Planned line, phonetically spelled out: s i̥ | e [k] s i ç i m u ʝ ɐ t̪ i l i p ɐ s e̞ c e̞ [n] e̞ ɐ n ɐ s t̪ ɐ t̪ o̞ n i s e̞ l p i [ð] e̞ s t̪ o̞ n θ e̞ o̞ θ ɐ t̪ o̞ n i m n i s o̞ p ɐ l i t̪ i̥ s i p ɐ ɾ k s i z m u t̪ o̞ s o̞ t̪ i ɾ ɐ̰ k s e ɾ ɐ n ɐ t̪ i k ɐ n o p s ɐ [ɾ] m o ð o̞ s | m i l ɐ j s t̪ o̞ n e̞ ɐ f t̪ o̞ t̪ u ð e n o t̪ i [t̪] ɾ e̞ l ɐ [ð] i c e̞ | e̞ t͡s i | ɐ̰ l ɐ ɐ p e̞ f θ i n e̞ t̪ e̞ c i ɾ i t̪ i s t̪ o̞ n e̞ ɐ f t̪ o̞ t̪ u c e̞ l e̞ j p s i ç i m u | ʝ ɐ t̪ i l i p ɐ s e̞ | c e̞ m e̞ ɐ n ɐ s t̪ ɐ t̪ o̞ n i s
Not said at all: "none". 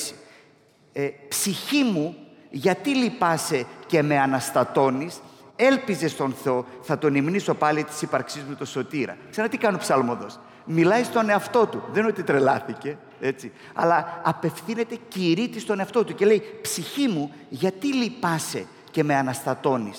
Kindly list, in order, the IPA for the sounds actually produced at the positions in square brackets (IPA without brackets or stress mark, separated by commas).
p, m, z, l, t̪, θ